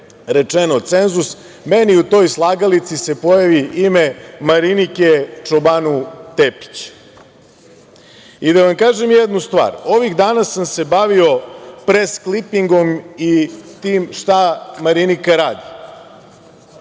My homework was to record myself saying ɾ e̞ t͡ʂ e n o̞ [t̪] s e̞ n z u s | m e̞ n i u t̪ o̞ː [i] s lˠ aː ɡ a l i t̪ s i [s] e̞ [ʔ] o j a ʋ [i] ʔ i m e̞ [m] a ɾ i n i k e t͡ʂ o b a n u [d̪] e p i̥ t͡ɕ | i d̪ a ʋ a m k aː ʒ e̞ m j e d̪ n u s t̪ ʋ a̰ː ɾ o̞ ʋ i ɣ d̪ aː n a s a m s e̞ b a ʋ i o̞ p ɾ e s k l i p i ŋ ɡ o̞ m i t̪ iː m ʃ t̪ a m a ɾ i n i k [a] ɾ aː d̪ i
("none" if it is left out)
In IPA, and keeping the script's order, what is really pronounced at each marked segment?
t̪, j, s, p, i, m, t̪, a

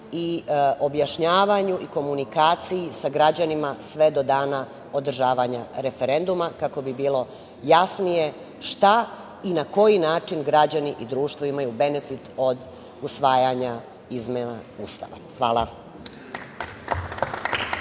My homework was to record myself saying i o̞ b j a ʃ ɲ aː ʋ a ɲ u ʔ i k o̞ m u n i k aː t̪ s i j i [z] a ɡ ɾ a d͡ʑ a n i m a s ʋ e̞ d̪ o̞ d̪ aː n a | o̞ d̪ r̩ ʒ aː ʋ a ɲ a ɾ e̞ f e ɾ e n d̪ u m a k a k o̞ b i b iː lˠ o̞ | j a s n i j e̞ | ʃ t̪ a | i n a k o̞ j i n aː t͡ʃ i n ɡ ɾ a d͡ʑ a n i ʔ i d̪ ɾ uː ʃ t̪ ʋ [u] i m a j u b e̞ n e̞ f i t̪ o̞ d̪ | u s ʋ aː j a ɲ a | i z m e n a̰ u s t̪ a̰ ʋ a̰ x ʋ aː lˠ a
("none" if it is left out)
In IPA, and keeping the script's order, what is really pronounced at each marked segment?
s, o

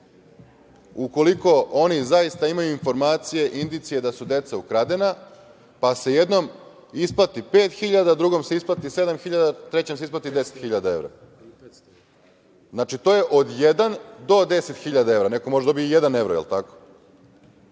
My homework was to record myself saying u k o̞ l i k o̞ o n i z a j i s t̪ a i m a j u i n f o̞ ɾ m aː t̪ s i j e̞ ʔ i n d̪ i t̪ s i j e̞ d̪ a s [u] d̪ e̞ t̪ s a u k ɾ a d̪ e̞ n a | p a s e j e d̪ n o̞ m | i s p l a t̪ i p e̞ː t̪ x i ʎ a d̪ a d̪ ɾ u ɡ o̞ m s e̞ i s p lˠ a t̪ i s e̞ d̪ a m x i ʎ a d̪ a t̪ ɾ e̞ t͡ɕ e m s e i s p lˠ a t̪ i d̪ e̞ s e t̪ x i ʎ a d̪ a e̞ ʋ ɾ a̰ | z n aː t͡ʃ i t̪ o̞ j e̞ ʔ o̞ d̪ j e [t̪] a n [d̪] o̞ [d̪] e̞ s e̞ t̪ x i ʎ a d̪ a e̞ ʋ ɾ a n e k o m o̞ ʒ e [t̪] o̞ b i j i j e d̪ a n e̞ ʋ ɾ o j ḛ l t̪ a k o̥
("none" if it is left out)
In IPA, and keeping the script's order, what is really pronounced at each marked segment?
u, d̪, d̪, d̪, d̪

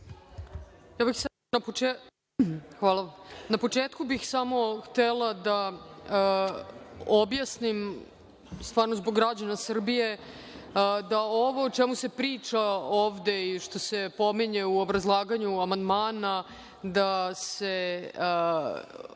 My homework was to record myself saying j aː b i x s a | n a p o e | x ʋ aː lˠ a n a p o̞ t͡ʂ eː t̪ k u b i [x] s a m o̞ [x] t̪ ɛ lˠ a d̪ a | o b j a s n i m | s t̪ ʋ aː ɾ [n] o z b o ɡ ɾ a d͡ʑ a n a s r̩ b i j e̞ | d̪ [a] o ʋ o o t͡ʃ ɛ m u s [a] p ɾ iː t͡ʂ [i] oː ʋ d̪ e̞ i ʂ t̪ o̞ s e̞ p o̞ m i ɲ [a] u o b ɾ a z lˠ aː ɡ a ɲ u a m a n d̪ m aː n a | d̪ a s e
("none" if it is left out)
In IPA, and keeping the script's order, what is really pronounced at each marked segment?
x, x, n, a, e, a, e

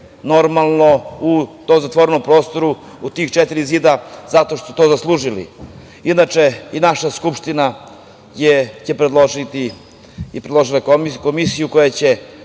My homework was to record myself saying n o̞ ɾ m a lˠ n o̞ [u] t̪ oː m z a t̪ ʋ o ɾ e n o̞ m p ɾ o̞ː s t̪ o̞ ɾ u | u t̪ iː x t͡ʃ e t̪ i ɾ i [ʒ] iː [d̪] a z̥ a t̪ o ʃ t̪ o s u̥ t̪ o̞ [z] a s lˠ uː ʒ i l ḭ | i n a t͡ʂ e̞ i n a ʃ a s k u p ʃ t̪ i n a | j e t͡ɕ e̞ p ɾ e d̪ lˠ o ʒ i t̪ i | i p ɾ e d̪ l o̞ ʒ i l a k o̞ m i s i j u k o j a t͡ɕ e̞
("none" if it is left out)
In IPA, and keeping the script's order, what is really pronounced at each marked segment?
u, z, d̪, z

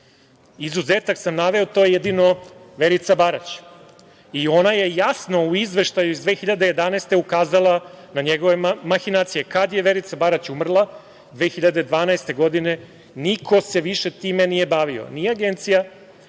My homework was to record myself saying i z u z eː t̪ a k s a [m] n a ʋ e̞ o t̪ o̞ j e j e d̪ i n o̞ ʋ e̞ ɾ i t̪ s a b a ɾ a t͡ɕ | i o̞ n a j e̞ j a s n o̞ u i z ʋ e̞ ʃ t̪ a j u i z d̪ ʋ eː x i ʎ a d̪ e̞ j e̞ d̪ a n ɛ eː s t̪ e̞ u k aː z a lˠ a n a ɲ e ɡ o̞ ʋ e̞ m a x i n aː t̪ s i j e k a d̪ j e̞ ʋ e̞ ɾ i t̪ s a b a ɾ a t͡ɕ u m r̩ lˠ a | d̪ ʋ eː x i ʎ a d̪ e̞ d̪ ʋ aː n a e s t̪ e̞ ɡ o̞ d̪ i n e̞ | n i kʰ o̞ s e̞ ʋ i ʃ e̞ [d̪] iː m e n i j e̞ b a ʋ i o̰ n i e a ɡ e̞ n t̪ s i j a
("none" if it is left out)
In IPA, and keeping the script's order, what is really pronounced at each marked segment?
m, t̪

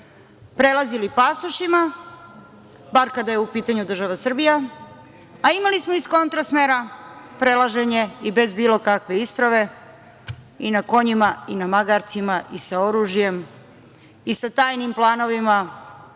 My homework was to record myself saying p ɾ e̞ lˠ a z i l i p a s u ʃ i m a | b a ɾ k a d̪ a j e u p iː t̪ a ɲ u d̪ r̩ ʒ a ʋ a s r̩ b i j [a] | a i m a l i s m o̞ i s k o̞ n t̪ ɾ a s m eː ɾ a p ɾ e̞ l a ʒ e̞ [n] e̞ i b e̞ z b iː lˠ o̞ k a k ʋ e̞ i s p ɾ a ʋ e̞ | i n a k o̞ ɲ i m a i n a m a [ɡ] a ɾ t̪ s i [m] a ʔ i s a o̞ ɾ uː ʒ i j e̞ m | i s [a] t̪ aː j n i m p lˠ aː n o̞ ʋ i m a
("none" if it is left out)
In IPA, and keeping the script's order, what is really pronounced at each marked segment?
a, ɲ, ɡ, m, a

